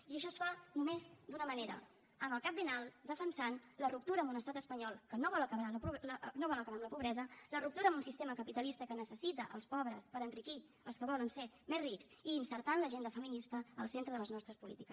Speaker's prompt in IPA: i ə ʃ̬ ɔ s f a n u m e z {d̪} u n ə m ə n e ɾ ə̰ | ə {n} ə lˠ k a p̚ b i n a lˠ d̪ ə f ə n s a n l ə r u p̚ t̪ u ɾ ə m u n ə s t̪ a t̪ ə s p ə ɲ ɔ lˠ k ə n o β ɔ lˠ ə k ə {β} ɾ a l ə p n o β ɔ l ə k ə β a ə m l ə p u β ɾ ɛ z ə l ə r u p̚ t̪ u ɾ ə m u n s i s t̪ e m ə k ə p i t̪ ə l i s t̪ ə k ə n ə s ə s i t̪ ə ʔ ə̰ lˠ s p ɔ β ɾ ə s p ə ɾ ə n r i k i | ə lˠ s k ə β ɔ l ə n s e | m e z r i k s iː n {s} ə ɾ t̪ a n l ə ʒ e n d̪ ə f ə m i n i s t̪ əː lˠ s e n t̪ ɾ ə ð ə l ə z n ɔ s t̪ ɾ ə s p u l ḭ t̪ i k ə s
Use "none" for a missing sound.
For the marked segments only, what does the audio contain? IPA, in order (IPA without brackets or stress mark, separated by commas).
d̪, m, β, s